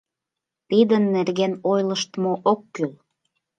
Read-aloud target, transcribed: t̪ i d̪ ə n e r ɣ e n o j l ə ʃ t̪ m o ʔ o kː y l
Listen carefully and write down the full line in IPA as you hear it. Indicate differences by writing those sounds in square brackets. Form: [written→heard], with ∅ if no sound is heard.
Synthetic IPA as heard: t̪ i d̪ ə [n→nː] e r ɣ e n o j l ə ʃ t̪ m o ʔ o kː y l